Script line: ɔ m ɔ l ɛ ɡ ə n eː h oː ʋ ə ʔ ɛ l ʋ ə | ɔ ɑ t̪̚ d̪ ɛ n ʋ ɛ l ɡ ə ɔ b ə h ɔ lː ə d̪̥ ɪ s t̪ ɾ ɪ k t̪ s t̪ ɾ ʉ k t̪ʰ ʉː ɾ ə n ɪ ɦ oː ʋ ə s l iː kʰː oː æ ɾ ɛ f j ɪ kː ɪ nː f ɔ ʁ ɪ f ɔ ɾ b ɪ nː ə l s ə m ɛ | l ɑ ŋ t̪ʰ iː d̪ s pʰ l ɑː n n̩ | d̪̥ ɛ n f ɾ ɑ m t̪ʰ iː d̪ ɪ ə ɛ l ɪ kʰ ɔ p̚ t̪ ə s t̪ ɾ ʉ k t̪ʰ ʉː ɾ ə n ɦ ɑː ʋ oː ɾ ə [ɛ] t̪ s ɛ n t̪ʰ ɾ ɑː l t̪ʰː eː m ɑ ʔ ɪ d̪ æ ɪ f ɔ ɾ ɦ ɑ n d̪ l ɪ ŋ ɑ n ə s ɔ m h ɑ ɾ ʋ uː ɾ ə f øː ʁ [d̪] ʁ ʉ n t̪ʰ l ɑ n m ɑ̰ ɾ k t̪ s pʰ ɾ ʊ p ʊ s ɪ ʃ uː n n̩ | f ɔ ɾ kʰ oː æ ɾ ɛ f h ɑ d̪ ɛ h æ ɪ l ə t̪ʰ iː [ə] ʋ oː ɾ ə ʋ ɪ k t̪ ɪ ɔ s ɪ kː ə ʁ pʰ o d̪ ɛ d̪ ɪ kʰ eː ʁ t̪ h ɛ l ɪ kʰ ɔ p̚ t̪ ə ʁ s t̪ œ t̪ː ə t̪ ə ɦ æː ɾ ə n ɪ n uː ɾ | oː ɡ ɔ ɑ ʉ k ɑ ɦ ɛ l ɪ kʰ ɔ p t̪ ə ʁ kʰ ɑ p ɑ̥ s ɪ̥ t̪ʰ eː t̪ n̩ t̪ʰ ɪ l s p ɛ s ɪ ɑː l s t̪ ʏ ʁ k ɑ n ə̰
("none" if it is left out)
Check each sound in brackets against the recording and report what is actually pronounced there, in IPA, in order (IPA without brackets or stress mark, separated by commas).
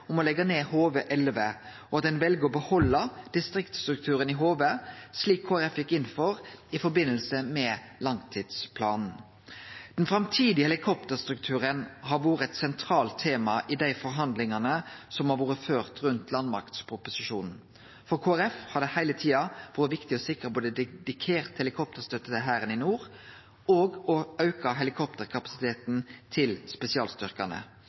ɛ, t̪, ɑ